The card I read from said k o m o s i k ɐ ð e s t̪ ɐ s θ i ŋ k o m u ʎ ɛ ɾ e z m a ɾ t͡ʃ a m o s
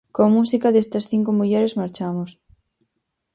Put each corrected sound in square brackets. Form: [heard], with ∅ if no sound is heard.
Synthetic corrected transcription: k o m [u] s i k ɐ ð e s t̪ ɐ s θ i ŋ k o m u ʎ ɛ ɾ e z m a ɾ t͡ʃ a m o s